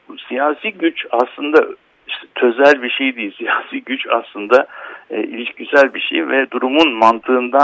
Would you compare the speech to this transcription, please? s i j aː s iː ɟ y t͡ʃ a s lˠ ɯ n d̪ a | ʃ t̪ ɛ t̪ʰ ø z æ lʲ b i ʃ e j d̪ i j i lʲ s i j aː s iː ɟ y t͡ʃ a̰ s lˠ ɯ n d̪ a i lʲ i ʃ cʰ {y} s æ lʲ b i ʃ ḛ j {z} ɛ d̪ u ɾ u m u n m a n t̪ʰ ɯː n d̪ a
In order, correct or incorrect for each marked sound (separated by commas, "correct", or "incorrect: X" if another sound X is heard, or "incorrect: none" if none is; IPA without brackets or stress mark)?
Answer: incorrect: i, incorrect: v